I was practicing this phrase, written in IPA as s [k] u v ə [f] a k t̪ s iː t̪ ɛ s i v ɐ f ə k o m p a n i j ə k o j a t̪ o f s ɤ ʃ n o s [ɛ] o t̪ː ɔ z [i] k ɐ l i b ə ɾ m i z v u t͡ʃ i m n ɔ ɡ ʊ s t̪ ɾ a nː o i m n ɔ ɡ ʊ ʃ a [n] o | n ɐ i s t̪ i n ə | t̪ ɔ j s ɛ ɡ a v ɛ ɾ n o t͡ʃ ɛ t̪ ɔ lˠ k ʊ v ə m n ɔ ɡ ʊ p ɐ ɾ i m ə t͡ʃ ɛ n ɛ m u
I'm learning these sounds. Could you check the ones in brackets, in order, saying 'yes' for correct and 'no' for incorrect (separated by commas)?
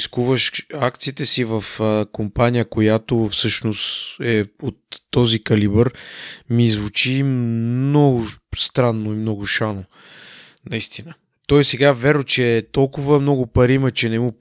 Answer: yes, no, yes, yes, yes